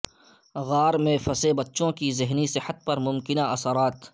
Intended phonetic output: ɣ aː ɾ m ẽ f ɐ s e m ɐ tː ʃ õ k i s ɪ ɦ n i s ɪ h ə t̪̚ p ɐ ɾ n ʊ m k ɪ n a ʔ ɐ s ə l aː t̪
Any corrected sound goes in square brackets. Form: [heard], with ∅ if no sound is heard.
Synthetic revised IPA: ɣ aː ɾ m ẽ f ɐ s e [b] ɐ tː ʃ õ k i [z] ɪ ɦ n i s ɪ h ə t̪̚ p ɐ ɾ [m] ʊ m k ɪ n a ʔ ɐ s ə [ɾ] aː t̪